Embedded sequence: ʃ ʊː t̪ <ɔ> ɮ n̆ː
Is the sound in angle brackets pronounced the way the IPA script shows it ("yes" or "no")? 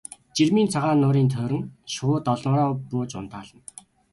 yes